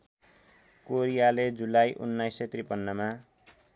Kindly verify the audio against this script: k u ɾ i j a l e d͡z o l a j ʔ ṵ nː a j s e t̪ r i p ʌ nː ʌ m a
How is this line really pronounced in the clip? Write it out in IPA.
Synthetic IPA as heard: k o ɾ i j a l e d͡z u l a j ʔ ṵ nː a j s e t̪ r i p ʌ nː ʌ m a